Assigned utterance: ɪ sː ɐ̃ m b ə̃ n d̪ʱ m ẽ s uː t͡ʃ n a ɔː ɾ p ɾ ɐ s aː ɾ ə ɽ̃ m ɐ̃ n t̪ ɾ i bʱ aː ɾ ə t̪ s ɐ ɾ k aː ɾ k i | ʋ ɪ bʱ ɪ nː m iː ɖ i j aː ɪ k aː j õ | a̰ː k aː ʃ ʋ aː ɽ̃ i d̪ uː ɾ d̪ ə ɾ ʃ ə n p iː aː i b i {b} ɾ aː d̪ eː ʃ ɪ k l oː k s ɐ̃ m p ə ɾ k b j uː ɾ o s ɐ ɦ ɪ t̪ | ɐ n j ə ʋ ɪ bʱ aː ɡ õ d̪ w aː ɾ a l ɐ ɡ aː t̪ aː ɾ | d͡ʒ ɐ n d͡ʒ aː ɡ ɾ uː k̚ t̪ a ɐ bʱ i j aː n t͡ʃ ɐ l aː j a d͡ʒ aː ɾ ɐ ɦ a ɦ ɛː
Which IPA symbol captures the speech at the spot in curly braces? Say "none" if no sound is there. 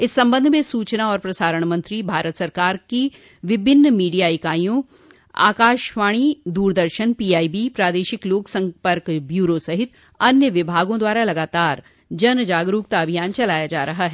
p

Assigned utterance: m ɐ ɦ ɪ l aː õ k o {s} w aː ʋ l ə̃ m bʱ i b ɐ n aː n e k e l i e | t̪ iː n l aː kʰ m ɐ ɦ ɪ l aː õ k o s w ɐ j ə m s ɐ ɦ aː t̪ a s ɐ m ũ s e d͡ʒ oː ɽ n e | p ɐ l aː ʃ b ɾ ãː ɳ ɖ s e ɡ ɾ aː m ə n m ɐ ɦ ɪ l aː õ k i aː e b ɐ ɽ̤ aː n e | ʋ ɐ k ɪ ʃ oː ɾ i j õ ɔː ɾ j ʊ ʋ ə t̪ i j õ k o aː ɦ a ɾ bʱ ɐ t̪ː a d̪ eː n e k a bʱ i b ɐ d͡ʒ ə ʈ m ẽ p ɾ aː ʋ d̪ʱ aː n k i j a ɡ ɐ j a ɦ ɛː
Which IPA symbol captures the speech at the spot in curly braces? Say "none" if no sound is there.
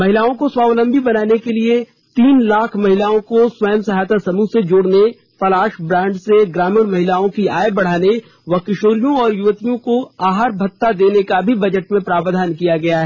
s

